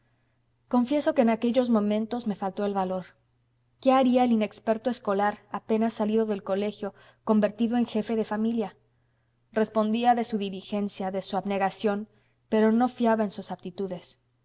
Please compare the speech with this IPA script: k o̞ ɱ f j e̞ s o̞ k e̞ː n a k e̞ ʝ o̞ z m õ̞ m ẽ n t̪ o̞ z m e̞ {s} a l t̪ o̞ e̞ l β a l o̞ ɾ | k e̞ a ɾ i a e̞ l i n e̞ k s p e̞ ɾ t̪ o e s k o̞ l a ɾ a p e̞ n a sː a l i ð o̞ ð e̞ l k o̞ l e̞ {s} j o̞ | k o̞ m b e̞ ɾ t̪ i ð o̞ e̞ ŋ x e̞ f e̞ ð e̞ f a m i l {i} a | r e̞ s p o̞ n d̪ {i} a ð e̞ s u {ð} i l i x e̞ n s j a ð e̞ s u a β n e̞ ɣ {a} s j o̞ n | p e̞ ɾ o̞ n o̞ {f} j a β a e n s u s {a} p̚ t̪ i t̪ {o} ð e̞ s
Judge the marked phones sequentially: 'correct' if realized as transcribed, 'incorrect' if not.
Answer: incorrect, incorrect, incorrect, correct, correct, correct, correct, correct, incorrect

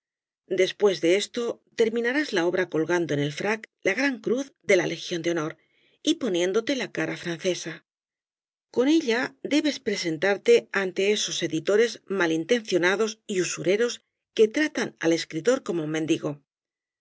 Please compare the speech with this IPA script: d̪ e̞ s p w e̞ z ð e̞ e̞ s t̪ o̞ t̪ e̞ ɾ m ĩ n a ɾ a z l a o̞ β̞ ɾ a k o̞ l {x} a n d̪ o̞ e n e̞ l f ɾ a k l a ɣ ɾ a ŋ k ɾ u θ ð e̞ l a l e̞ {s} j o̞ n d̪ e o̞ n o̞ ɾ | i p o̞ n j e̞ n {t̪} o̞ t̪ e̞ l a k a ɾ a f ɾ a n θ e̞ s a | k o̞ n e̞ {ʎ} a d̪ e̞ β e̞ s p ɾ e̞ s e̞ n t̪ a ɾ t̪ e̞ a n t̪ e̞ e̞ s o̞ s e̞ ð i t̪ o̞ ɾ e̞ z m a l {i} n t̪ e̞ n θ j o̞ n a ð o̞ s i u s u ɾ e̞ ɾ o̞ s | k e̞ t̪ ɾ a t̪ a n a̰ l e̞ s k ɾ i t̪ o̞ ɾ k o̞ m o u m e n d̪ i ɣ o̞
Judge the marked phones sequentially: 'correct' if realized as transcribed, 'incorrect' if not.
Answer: incorrect, incorrect, incorrect, correct, correct

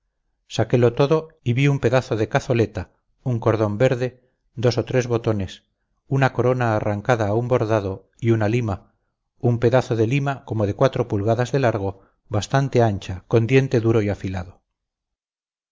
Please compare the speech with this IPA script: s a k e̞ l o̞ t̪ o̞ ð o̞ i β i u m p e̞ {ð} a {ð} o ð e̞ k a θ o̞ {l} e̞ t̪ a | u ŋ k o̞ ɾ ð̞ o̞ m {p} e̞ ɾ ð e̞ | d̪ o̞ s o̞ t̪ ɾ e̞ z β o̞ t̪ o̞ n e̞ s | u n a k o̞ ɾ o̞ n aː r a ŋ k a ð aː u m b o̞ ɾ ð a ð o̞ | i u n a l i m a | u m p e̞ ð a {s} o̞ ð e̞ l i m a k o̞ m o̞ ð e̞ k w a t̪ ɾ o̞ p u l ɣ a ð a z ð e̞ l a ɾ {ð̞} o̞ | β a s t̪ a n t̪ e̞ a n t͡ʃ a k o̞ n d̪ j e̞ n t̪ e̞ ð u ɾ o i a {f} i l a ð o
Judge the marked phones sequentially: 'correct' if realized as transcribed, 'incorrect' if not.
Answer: correct, incorrect, correct, incorrect, incorrect, incorrect, correct

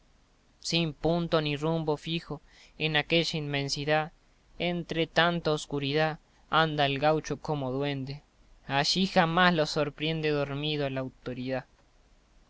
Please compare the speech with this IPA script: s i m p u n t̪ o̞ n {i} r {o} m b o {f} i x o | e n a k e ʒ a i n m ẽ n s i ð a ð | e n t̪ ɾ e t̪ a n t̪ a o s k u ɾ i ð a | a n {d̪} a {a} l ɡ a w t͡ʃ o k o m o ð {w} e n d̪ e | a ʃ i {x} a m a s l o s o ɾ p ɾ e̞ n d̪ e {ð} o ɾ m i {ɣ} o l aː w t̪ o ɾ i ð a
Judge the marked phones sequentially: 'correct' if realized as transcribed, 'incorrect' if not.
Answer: correct, incorrect, correct, correct, incorrect, correct, correct, correct, incorrect

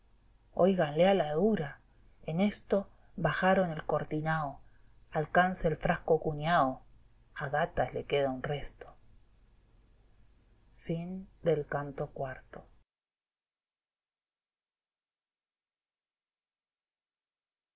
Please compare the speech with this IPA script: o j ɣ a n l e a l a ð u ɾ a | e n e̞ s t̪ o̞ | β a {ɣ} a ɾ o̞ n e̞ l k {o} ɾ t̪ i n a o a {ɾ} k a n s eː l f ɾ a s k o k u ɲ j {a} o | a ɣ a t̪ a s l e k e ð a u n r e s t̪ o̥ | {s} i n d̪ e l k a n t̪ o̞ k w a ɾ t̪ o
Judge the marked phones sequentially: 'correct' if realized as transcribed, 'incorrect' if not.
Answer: incorrect, correct, incorrect, correct, incorrect

